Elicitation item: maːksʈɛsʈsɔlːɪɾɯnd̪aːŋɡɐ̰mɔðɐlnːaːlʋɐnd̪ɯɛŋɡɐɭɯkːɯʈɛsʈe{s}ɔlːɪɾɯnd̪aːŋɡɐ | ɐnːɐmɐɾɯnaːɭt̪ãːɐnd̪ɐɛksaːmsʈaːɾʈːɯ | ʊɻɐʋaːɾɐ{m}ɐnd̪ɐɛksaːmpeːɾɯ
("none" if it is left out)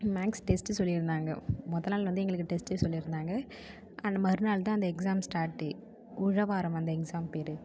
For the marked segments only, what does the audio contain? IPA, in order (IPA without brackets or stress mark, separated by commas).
s, m